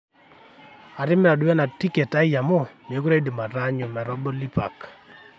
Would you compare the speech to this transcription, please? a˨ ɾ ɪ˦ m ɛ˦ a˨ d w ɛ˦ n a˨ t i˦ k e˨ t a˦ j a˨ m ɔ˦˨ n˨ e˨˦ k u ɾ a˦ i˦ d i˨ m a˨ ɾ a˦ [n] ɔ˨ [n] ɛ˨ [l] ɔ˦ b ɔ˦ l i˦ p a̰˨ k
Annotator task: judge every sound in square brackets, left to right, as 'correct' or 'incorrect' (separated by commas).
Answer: incorrect, incorrect, incorrect